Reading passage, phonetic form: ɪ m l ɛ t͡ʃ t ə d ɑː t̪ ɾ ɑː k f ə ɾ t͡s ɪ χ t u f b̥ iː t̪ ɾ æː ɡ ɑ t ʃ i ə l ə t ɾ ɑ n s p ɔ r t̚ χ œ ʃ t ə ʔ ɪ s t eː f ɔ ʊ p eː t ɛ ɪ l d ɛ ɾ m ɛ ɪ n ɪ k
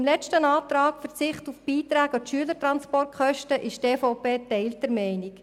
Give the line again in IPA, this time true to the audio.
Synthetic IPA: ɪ m l ɛ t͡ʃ t ə n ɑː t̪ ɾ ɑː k f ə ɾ t͡s ɪ χ t u f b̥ iː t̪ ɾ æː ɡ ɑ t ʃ y ə l ə t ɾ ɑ n s p ɔ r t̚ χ œ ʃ t ə ʔ ɪ ʃ t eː f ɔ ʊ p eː t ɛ ɪ l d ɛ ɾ m ɛ ɪ n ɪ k